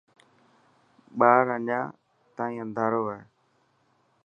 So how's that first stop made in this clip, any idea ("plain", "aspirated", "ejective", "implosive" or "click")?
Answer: implosive